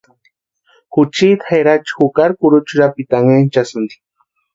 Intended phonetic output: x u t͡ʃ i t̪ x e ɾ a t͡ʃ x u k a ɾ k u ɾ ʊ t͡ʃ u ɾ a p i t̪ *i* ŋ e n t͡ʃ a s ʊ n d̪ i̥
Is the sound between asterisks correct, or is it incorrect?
incorrect